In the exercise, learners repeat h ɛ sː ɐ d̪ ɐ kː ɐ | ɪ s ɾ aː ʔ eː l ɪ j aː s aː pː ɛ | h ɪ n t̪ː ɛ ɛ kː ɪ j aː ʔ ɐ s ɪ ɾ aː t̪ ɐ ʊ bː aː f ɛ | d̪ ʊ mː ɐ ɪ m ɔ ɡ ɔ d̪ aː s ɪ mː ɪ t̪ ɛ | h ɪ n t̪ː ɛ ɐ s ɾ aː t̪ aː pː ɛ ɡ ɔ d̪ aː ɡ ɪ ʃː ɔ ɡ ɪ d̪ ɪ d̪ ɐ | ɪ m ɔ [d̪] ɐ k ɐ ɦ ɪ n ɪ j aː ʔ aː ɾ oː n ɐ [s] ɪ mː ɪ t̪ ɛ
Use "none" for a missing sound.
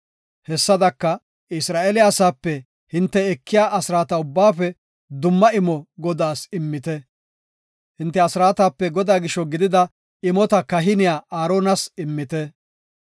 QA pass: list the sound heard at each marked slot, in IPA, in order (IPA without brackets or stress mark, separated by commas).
t̪, s